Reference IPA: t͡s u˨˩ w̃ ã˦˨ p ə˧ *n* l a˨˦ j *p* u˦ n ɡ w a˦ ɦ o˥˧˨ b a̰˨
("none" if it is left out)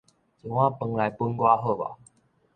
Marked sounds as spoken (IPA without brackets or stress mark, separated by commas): ŋ, p